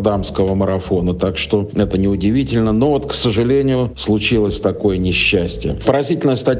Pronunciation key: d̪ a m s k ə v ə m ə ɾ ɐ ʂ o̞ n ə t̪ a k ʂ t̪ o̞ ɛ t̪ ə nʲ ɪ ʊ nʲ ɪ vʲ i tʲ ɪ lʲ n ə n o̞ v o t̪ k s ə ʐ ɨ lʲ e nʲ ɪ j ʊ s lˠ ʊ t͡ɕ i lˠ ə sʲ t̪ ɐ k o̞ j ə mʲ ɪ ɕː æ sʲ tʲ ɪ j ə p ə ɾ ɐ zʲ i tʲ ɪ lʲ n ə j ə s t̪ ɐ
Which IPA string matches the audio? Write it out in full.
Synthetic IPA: d̪ a m s k ə v ə m ə ɾ ɐ f o̞ n ə t̪ a k ʂ t̪ o̞ ɛ t̪ ə nʲ ɪ ʊ dʲ ɪ vʲ i tʲ ɪ lʲ n ə n o̞ v o t̪ k s ə ʐ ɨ lʲ e nʲ ɪ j ʊ s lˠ ʊ t͡ɕ i lˠ ə sʲ t̪ ɐ k o̞ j ə nʲ ɪ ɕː æ sʲ tʲ ɪ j ə p ə ɾ ɐ zʲ i tʲ ɪ lʲ n ə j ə s t̪ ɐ